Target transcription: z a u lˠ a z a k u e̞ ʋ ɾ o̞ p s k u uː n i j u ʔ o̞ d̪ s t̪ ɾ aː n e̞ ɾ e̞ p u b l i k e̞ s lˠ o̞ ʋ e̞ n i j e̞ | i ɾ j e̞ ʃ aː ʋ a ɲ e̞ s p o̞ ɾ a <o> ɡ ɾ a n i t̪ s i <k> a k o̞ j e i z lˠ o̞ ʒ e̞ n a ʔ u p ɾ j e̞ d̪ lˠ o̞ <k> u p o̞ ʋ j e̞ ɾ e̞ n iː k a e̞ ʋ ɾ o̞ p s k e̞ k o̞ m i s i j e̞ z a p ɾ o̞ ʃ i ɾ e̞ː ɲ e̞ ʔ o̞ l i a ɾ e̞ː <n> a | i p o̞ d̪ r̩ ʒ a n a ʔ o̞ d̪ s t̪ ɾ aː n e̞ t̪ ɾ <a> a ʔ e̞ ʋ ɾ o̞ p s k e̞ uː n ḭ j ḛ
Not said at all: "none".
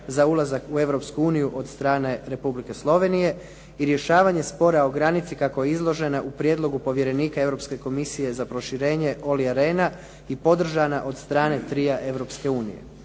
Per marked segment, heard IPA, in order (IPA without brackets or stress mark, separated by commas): o, k, ɡ, n, i